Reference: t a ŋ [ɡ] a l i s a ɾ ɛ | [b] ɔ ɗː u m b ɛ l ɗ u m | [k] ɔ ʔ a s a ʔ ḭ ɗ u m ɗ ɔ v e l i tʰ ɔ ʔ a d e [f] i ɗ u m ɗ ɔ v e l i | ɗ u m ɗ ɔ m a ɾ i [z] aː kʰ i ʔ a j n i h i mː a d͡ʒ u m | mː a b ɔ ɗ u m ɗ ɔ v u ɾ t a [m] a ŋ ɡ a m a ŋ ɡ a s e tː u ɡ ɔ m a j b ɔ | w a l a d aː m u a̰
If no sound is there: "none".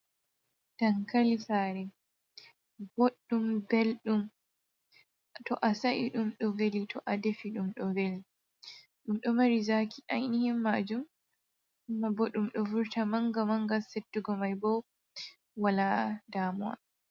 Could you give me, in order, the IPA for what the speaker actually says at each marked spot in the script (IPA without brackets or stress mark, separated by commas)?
k, b, t, f, z, m